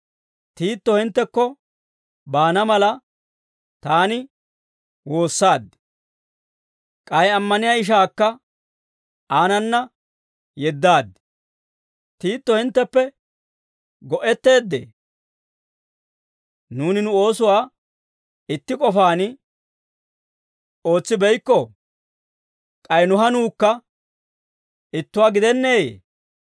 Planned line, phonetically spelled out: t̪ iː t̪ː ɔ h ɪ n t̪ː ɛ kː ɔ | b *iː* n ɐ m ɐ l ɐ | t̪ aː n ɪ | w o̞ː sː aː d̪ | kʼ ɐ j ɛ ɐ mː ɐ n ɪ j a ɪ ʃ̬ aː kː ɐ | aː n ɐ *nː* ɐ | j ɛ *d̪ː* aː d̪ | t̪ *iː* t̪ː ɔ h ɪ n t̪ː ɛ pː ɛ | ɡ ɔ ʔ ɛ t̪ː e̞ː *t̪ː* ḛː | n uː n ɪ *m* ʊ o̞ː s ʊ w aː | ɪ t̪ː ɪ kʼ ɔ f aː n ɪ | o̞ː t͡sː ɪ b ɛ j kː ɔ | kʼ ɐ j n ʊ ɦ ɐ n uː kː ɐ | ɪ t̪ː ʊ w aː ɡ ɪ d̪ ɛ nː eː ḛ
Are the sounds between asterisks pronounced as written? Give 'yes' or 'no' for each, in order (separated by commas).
no, yes, yes, yes, no, no